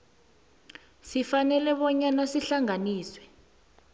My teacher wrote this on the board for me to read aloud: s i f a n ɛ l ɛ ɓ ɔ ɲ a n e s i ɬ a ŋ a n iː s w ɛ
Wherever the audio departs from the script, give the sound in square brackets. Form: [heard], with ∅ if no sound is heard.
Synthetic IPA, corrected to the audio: s i f a n ɛ l ɛ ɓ ɔ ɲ a n [a] s i ɬ a ŋ a n iː s w ɛ